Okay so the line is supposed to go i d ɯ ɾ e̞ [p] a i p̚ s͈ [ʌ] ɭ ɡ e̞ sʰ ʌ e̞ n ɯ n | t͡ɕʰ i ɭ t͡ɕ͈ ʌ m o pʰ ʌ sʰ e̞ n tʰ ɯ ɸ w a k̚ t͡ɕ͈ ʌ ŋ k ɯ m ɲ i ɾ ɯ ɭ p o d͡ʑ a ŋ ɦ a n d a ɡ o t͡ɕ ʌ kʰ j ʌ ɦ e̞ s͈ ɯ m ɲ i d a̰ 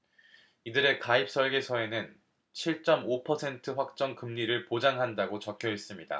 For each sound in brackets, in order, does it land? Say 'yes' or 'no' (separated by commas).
no, yes